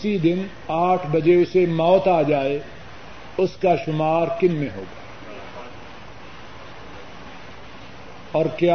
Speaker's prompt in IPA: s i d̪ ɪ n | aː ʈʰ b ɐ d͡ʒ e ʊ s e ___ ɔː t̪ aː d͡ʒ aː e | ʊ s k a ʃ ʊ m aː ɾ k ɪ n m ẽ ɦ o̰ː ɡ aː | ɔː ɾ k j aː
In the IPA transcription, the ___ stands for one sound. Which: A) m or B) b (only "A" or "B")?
A